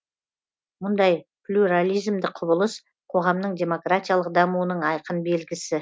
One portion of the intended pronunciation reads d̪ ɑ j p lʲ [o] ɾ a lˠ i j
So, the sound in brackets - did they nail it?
no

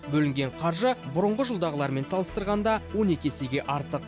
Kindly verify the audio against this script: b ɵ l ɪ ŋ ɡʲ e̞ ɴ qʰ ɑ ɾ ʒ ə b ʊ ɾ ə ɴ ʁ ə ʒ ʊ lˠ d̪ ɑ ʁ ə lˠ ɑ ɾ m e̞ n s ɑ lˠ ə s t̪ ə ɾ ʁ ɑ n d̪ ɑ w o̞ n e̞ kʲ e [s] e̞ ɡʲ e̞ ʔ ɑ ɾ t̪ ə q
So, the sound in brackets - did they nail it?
yes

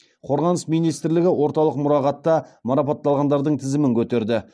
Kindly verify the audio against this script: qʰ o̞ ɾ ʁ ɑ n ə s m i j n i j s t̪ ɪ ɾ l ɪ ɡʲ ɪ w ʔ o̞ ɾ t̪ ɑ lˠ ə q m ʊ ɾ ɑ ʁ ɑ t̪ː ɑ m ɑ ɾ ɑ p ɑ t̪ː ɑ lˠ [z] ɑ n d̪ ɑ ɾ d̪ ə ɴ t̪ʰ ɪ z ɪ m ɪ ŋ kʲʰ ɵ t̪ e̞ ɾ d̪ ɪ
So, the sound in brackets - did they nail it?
no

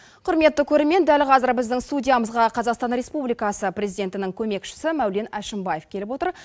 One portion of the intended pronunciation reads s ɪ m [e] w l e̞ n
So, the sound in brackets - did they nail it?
no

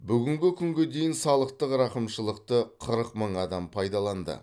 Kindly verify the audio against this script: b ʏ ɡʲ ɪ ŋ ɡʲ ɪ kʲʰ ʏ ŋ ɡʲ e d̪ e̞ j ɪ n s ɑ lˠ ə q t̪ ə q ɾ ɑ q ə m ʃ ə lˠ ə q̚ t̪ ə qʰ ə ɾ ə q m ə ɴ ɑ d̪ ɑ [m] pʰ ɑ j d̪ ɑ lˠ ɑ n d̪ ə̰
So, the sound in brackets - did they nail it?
yes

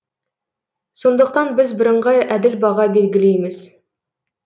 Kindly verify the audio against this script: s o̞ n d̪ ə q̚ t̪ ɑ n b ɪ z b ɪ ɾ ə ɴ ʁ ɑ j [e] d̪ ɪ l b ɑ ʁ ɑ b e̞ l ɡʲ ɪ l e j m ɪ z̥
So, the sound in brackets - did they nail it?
no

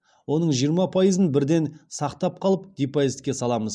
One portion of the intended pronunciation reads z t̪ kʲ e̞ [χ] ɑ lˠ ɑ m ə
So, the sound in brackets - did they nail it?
no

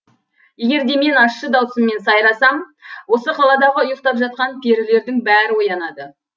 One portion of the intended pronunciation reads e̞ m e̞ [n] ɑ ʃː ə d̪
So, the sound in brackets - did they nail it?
yes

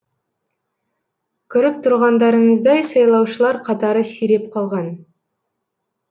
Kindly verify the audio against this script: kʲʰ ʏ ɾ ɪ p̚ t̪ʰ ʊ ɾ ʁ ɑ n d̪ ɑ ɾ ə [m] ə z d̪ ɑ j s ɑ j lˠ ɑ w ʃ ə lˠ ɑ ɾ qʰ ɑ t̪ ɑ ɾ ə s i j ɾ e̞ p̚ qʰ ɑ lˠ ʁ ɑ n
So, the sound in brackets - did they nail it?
no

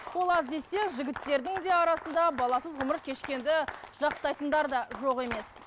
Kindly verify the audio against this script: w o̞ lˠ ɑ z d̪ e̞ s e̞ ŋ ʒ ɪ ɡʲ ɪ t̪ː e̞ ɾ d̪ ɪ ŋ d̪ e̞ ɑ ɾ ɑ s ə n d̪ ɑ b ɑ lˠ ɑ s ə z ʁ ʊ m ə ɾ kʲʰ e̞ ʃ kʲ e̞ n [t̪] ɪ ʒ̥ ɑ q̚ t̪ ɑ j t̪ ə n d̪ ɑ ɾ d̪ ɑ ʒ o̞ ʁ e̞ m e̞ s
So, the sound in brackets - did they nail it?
no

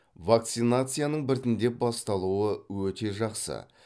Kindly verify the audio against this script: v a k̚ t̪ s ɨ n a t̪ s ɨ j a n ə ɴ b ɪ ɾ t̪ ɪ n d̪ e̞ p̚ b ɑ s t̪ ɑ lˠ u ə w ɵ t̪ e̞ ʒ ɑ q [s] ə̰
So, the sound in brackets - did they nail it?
yes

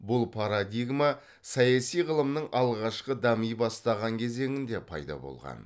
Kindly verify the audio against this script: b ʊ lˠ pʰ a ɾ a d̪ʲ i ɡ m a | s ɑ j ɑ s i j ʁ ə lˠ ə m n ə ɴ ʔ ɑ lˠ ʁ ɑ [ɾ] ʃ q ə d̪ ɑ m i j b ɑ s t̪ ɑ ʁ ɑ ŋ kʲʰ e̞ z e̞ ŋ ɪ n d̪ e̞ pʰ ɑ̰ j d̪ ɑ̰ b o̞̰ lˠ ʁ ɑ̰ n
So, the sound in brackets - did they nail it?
no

